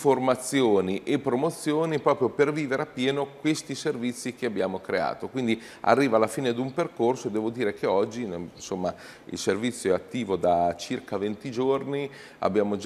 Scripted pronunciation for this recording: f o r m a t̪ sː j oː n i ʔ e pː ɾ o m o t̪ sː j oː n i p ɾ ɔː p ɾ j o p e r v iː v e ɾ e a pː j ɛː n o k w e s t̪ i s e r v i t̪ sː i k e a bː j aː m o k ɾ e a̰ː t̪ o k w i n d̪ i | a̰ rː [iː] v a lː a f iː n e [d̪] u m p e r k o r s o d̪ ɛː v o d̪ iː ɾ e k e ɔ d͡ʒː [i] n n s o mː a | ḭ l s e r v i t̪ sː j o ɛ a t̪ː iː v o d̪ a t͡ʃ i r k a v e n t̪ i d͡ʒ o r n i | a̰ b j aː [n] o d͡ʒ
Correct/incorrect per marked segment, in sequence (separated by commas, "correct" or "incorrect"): correct, correct, correct, incorrect